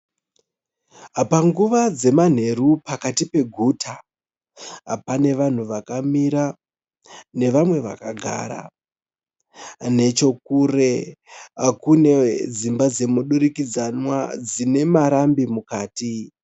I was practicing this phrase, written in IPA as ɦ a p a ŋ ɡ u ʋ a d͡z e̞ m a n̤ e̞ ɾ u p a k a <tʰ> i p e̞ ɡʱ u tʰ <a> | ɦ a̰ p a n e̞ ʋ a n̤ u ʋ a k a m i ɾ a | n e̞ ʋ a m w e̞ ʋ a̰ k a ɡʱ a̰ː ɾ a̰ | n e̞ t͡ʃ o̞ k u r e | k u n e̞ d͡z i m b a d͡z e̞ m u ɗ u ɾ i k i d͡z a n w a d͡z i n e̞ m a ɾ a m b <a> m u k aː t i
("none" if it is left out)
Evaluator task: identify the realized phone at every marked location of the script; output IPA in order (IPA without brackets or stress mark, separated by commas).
t, a, i